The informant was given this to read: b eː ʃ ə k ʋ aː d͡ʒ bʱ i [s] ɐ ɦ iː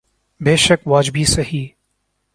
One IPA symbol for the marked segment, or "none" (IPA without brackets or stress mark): s